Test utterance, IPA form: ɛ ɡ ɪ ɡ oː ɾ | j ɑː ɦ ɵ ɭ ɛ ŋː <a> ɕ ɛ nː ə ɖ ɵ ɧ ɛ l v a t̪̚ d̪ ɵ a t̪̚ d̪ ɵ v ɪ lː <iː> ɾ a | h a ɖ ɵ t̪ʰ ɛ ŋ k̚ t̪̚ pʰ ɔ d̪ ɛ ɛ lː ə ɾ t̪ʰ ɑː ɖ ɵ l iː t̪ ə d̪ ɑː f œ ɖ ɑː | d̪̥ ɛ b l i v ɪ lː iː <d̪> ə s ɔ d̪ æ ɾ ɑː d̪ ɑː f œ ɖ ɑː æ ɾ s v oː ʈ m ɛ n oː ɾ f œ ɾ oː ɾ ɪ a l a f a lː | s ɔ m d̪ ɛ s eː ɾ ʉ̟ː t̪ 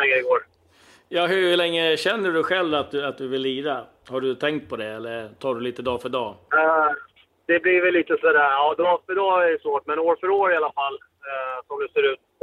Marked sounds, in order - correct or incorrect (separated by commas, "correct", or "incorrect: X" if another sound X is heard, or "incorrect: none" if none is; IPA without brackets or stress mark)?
incorrect: ə, correct, incorrect: t̪